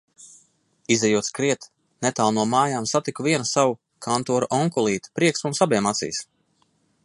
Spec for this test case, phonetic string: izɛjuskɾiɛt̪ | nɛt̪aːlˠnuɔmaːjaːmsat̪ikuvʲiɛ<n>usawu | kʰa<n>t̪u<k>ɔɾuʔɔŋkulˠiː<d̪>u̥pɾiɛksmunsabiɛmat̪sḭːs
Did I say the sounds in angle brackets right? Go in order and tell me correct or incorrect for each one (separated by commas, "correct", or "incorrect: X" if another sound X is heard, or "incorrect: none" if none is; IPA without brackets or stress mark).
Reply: correct, correct, incorrect: none, incorrect: t̪